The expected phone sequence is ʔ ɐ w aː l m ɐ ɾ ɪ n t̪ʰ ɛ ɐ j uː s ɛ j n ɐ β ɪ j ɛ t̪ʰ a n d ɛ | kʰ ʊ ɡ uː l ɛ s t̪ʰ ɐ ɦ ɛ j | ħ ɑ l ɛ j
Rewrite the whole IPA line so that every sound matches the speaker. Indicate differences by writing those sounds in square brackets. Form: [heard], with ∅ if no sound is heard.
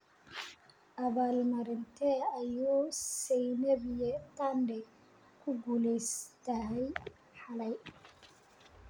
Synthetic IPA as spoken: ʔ ɐ [β] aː l m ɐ ɾ ɪ n t̪ʰ ɛ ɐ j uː s ɛ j n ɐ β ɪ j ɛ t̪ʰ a n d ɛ | kʰ ʊ ɡ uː l ɛ s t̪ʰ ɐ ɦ ɛ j | ħ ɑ l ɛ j